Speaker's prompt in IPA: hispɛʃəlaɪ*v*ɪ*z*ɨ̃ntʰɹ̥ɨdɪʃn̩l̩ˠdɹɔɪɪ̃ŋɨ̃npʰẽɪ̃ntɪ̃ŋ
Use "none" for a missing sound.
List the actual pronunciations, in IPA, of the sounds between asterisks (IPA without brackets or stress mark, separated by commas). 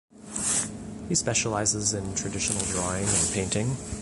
z, z